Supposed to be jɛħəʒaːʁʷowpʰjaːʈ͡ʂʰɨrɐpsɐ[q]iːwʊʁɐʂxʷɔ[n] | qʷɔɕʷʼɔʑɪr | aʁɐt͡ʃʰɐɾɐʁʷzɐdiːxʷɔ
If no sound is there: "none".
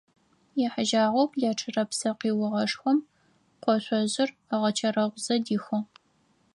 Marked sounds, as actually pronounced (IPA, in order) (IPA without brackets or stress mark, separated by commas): q, m